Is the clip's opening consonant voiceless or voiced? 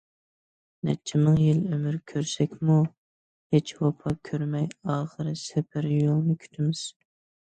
voiced